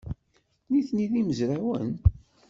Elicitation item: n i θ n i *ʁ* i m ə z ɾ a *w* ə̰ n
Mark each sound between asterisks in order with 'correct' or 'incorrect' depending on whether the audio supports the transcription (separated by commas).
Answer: incorrect, correct